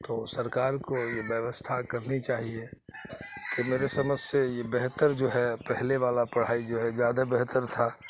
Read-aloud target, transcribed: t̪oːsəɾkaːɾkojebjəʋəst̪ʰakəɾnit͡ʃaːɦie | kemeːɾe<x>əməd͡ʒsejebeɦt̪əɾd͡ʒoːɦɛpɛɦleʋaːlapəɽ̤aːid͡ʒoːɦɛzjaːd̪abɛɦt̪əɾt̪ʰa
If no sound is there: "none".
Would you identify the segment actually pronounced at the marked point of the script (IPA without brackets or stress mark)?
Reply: s